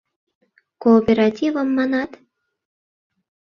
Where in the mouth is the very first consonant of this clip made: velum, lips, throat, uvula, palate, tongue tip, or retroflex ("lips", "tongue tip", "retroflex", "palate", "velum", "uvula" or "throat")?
velum